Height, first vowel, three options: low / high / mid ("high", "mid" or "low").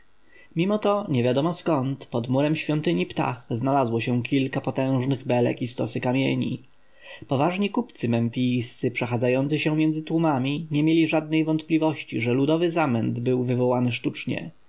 high